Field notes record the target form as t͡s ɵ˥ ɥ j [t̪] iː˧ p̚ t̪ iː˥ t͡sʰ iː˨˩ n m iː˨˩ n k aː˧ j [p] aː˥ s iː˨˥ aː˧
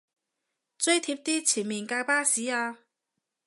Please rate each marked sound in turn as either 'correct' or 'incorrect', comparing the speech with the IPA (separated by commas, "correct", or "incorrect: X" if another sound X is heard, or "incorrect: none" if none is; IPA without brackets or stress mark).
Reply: incorrect: t̪ʰ, correct